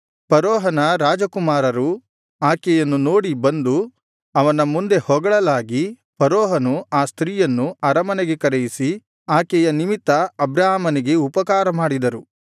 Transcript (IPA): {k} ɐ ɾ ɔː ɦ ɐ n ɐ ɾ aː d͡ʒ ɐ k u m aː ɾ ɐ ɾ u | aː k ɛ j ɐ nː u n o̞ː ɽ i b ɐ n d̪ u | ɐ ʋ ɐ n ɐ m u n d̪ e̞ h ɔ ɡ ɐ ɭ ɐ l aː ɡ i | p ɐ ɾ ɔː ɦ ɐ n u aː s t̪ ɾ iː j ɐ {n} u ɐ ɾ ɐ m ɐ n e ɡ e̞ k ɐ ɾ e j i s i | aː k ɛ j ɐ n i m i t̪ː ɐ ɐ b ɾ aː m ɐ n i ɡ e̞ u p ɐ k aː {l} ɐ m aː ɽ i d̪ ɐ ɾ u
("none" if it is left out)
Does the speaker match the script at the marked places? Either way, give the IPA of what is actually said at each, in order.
p, nː, ɾ

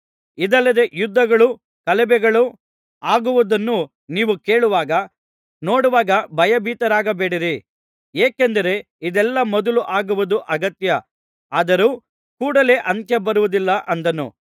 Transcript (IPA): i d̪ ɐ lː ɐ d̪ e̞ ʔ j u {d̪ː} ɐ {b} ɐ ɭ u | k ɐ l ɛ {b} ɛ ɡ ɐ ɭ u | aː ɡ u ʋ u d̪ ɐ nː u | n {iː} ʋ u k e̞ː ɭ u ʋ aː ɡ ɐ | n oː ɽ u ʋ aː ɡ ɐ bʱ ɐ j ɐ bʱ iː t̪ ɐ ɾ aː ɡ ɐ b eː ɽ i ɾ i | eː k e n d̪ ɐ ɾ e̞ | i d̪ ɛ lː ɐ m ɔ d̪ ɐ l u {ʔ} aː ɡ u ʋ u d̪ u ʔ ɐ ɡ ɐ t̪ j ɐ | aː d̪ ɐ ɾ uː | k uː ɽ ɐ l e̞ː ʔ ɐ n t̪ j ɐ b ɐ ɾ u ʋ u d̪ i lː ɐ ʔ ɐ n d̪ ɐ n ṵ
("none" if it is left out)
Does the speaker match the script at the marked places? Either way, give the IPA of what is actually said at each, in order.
d̪ː, ɡ, b, iː, ʔ

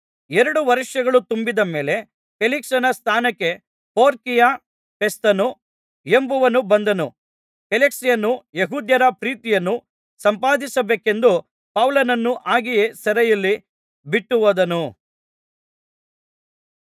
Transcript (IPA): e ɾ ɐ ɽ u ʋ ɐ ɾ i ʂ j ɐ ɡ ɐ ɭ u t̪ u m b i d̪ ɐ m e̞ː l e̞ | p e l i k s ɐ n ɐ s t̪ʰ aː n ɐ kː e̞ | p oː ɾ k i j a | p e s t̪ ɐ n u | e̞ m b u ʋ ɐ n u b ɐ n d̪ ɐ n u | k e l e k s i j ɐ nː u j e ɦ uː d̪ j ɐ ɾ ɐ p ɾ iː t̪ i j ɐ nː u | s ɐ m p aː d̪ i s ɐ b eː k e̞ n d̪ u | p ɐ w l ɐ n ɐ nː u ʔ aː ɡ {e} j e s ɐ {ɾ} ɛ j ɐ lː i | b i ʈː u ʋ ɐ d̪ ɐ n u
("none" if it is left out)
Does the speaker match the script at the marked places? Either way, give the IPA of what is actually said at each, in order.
i, ɾ

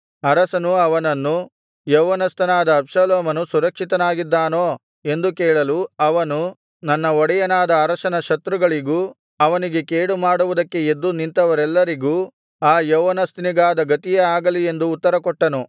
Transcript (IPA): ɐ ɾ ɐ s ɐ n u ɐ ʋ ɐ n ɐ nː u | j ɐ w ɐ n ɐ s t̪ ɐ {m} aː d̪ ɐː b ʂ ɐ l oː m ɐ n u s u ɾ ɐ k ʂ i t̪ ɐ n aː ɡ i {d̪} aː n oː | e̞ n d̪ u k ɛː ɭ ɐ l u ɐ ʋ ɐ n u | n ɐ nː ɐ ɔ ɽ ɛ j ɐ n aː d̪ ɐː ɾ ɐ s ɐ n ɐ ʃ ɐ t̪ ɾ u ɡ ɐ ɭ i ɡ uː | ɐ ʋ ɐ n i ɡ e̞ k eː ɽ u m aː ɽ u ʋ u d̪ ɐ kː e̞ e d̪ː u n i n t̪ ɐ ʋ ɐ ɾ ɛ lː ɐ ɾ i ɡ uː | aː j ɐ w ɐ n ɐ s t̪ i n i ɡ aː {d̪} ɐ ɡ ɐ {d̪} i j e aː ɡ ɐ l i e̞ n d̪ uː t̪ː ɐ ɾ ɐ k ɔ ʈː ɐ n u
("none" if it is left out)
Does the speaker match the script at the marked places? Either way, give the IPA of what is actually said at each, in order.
n, d̪ː, d̪, t̪

